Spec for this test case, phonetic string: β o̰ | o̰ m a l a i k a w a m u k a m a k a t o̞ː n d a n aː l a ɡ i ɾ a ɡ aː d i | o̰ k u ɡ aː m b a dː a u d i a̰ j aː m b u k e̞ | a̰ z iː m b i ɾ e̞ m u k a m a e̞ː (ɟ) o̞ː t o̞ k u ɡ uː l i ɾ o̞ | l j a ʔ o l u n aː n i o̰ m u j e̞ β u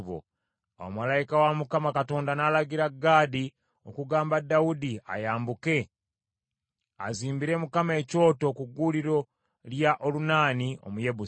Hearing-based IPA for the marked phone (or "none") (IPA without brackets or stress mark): c